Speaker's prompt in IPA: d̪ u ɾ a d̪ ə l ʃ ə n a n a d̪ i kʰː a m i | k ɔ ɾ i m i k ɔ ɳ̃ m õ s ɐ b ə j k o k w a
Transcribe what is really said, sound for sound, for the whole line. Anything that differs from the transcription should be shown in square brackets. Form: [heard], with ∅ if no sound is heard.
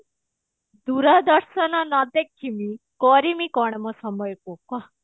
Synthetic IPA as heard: d̪ u ɾ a d̪ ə [ɾ] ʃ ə n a n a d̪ [e] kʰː [i] m i | k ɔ ɾ i m i k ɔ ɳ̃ m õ s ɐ [m] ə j k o k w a